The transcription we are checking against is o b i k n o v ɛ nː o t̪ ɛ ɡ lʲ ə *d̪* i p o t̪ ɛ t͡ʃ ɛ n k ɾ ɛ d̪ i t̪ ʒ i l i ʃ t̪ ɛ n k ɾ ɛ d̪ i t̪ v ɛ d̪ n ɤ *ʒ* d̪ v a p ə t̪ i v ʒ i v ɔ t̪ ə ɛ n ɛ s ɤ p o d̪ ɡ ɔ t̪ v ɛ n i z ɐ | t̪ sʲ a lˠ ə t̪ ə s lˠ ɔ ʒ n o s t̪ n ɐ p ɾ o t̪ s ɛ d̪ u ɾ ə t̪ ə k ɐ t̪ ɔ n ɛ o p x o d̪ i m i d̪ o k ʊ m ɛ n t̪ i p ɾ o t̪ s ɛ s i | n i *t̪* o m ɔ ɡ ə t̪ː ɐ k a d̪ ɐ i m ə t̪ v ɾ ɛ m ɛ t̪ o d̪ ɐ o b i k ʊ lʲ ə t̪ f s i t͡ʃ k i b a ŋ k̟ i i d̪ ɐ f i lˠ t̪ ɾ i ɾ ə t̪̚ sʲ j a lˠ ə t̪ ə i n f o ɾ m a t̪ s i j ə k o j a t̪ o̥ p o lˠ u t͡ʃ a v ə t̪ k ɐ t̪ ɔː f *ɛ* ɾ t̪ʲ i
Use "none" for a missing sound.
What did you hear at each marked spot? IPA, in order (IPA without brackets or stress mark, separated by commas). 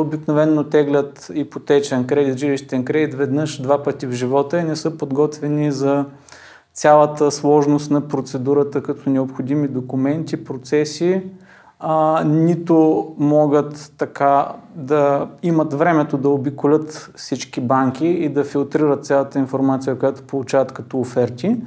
t̪, ʃ, t̪, ɛ